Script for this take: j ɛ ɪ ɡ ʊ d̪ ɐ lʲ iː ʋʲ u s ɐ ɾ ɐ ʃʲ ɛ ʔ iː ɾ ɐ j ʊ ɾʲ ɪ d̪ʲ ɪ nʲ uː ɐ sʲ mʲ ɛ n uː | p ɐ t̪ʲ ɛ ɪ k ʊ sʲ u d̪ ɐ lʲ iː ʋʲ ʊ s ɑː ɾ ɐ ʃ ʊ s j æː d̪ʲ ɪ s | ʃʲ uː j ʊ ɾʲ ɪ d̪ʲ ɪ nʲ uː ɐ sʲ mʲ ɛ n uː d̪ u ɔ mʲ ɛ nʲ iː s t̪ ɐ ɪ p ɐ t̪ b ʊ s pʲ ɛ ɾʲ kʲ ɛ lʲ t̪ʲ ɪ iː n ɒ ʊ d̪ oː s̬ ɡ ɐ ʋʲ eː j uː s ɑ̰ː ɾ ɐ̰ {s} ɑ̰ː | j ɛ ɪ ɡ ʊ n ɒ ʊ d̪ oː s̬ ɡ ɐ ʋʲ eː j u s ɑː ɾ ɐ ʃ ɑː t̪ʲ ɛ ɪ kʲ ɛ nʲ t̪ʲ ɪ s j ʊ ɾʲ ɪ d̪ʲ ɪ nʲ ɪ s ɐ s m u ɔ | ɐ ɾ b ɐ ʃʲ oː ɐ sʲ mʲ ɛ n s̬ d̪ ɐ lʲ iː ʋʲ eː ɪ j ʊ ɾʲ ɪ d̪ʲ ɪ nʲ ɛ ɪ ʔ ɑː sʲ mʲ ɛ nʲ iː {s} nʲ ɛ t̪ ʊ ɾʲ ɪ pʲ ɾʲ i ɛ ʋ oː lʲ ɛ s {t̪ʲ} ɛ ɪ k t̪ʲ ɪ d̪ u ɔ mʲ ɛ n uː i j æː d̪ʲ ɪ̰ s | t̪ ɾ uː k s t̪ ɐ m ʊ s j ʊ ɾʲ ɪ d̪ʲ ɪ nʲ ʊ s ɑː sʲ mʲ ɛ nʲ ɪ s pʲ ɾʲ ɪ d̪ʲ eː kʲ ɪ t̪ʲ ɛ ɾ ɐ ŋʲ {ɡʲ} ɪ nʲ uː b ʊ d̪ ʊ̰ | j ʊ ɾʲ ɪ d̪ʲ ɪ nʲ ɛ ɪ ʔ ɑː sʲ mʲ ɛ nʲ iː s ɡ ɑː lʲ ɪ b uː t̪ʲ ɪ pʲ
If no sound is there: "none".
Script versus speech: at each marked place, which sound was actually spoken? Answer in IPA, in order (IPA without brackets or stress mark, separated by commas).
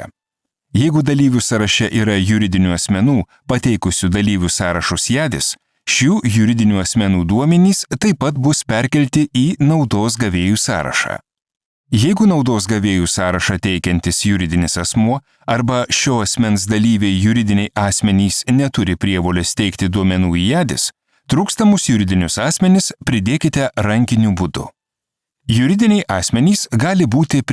ʃ, s, t̪ʲ, kʲ